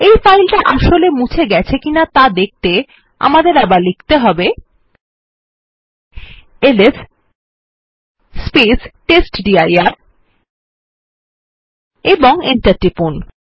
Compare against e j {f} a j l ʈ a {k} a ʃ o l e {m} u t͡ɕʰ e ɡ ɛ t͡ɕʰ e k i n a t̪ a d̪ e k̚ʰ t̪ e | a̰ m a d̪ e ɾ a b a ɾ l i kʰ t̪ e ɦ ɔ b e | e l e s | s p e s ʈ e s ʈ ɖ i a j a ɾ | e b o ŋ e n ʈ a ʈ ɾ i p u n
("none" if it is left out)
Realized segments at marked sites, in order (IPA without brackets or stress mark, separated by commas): f, ʔ, m